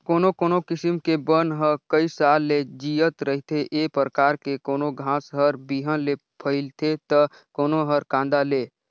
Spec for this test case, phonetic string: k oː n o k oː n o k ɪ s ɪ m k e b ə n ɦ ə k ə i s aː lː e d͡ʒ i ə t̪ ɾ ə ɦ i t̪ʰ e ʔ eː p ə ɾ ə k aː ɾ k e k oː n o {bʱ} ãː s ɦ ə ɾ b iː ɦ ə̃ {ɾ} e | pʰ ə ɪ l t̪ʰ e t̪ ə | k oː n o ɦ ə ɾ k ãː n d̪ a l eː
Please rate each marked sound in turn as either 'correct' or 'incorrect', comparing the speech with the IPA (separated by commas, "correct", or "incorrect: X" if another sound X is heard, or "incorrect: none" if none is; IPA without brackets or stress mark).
incorrect: ɡʱ, incorrect: l